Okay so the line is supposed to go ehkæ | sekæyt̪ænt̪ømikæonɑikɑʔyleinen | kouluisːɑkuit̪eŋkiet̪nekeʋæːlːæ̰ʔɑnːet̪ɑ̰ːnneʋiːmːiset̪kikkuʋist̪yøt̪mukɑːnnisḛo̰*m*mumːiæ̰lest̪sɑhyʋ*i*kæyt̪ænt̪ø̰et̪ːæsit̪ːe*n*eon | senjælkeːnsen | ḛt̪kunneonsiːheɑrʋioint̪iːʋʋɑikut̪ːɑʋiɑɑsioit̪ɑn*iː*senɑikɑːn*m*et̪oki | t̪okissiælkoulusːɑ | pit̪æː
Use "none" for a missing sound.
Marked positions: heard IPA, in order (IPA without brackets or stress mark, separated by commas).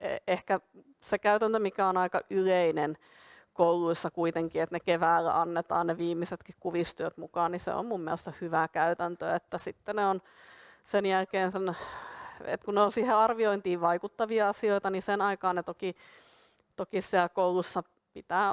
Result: m, æ, n, i, n